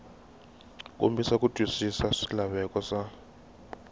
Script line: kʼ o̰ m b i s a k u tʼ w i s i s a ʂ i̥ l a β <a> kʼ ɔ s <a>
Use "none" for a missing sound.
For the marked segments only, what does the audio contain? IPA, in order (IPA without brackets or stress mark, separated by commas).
ɛ, a